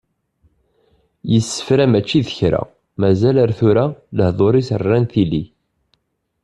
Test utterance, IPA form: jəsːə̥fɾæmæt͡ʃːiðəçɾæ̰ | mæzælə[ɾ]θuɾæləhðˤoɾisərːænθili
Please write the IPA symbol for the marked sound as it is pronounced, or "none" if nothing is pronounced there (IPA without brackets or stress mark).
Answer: ɾ